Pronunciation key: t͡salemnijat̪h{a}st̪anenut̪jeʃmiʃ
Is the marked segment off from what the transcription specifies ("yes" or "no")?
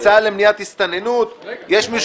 yes